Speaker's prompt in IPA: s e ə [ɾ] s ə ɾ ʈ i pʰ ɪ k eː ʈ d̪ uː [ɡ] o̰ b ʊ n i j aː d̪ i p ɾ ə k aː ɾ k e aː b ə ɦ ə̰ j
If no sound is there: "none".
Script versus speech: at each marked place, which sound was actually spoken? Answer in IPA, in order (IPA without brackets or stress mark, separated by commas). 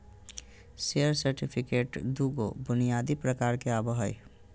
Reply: ɾ, ɡ